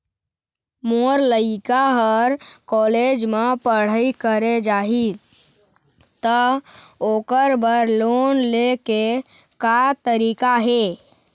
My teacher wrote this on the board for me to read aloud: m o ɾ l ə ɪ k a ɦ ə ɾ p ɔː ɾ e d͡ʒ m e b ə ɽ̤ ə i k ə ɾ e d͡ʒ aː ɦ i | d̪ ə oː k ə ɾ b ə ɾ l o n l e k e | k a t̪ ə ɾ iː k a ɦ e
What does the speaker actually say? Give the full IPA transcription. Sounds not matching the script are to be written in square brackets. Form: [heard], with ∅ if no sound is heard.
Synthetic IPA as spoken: m o ɾ l ə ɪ k a ɦ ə ɾ [k] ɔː [l] e d͡ʒ m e [p] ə ɽ̤ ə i k ə ɾ e d͡ʒ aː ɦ i | [t̪] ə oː k ə ɾ b ə ɾ l o n l e k e | k a t̪ ə ɾ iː k a ɦ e

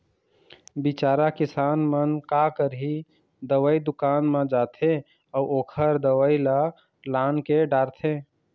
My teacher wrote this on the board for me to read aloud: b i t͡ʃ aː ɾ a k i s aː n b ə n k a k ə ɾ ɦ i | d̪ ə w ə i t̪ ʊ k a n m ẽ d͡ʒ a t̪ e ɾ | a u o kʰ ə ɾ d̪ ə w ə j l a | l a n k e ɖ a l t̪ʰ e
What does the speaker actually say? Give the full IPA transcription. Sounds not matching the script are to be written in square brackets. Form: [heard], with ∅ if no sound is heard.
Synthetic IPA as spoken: b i t͡ʃ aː ɾ a k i s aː n [m] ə n k a k ə ɾ ɦ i | d̪ ə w ə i [d̪] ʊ k a n m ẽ d͡ʒ a [t̪ʰ] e [∅] | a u o kʰ ə ɾ d̪ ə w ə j l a | l a n k e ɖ a [ɾ] t̪ʰ e

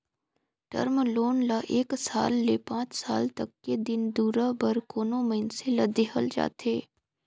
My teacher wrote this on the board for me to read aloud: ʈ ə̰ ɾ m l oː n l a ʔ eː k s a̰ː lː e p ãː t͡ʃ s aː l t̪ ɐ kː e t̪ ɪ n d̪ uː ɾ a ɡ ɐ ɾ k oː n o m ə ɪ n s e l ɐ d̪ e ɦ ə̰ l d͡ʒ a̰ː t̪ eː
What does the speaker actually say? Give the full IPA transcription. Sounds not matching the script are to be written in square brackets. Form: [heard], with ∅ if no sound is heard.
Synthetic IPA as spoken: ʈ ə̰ ɾ m l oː n l a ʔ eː k s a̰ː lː e p ãː t͡ʃ s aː l t̪ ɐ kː e [d̪] ɪ n d̪ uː ɾ a [b] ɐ ɾ k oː n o m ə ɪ n s e l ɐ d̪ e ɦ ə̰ l d͡ʒ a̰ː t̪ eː

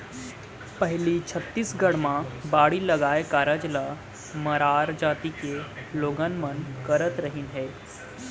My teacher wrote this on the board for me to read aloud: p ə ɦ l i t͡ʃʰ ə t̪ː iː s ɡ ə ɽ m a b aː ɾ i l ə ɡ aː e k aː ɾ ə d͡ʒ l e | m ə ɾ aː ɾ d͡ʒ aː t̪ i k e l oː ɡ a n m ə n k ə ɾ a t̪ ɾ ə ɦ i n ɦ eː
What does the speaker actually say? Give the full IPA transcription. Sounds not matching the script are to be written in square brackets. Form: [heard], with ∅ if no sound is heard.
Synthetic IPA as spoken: p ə ɦ l i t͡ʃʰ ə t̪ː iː s ɡ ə ɽ m a b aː [ɽ] i l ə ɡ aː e k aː ɾ ə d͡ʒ l [a] | m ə ɾ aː ɾ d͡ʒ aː t̪ i k e l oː ɡ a n m ə n k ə ɾ [ə] t̪ ɾ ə ɦ i n ɦ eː

